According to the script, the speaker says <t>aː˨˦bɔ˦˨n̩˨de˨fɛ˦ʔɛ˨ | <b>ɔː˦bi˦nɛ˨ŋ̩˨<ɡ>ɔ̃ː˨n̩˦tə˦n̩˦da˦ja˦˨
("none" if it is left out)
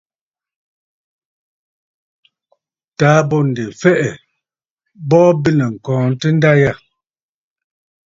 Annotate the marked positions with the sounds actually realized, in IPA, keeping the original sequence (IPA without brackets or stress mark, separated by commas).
t, b, k